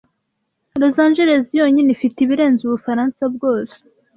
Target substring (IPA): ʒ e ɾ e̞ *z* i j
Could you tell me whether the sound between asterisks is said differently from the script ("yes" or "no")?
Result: no